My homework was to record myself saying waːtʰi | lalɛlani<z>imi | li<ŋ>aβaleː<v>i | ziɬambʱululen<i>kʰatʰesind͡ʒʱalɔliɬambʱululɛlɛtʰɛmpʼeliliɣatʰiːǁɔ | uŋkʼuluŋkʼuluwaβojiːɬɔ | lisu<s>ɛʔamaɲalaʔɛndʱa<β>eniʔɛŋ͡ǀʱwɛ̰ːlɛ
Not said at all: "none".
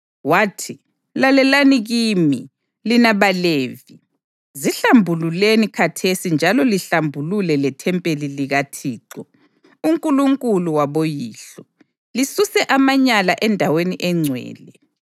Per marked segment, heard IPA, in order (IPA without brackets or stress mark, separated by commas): ɣ, n, v, i, s, w